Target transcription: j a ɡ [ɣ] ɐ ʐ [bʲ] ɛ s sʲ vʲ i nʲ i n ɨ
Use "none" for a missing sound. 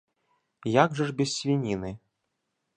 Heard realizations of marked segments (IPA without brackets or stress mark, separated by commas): ʐ, bʲ